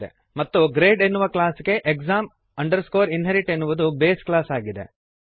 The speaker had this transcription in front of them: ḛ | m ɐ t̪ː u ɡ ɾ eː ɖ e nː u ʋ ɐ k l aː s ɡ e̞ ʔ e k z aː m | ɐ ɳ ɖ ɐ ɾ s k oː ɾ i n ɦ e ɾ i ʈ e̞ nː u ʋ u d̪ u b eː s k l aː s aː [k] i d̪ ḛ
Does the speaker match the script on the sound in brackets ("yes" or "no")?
no